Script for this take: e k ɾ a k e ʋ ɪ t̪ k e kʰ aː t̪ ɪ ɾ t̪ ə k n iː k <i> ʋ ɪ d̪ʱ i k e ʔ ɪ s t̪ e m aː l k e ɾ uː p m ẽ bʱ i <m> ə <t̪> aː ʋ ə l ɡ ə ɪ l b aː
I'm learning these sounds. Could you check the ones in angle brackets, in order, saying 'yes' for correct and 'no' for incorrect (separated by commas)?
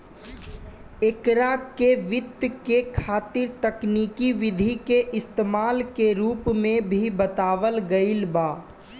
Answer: yes, no, yes